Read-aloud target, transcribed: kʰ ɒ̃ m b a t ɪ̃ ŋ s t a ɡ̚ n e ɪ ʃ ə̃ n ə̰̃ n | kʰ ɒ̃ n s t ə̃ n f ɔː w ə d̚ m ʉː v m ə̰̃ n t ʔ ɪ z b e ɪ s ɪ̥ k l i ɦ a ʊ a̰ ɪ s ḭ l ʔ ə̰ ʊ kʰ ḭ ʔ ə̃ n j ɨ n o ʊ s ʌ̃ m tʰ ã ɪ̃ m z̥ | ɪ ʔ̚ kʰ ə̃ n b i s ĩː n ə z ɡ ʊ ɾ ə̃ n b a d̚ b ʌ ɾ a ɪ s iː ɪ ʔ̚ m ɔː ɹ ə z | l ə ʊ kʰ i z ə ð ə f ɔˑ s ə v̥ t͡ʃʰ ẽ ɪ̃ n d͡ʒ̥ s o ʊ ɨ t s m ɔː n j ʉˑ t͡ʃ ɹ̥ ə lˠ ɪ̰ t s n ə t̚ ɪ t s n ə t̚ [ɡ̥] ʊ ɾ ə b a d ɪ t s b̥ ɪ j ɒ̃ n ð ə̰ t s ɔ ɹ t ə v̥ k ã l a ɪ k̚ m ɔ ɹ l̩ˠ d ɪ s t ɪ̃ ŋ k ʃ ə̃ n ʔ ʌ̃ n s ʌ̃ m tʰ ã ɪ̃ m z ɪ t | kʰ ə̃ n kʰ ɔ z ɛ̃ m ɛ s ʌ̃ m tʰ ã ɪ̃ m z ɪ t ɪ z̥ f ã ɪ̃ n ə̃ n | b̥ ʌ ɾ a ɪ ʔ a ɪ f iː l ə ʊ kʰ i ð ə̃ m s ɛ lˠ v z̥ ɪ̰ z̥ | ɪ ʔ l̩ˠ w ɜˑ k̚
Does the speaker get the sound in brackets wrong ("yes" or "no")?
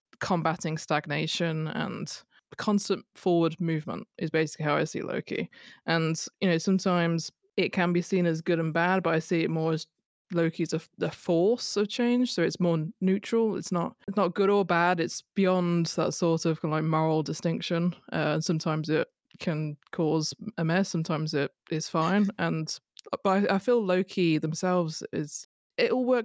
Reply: no